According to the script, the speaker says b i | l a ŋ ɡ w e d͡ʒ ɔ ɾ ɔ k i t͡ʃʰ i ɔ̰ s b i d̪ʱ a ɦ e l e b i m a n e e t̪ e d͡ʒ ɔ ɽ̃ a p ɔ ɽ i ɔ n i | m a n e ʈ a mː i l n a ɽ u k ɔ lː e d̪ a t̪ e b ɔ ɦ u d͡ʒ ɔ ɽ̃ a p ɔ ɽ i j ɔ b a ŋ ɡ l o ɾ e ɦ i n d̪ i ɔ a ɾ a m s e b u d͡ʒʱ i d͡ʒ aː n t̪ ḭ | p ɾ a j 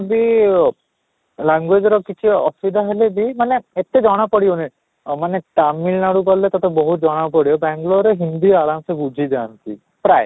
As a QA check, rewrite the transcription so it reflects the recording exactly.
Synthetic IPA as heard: b i | l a ŋ ɡ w e d͡ʒ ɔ ɾ ɔ k i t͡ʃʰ i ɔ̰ s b i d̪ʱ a ɦ e l e b i m a n e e t̪ e d͡ʒ ɔ ɽ̃ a p ɔ ɽ i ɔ n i | m a n e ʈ a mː i l n a ɽ u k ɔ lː e t̪ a t̪ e b ɔ ɦ u d͡ʒ ɔ ɽ̃ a p ɔ ɽ i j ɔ b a ŋ ɡ l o ɾ e ɦ i n d̪ i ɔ a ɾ a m s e b u d͡ʒʱ i d͡ʒ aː n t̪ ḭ | p ɾ a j